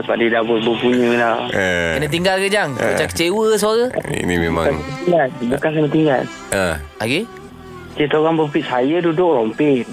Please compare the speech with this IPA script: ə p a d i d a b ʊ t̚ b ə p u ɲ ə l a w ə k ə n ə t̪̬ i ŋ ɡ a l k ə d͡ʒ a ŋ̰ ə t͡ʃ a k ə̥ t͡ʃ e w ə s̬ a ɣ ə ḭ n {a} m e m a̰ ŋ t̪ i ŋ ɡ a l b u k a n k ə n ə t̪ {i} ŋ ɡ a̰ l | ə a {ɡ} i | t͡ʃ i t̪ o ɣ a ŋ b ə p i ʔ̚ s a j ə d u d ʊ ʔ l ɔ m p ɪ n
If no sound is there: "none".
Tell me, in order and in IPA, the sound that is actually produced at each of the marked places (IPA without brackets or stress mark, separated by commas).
i, i, ɡ